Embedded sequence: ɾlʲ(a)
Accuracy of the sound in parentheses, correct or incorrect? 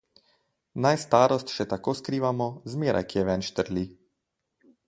incorrect